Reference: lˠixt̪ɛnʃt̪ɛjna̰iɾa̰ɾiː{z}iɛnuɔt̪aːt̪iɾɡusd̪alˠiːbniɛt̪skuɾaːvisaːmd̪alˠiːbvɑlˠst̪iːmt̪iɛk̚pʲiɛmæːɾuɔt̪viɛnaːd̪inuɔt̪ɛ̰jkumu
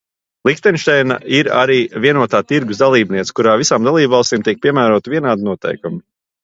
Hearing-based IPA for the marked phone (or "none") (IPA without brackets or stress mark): v